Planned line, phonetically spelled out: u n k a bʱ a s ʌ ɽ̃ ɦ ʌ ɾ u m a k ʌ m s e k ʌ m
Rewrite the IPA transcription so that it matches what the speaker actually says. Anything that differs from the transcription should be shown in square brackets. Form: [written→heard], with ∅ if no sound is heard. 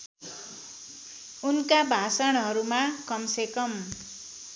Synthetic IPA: u n k a bʱ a s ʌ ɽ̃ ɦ ʌ ɾ u m a k ʌ m s e k ʌ m